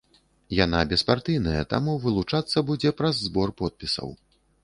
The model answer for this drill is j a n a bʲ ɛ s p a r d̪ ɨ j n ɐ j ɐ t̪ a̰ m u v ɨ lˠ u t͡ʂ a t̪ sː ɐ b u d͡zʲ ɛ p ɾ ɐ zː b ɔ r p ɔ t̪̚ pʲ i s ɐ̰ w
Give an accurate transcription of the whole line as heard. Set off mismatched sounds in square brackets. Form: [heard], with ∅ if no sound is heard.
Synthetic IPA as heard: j a n a bʲ ɛ s p a r [t̪] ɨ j n ɐ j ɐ t̪ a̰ m u v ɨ lˠ u t͡ʂ a t̪ sː ɐ b u d͡zʲ ɛ p ɾ ɐ zː b ɔ r p ɔ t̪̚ pʲ i s ɐ̰ w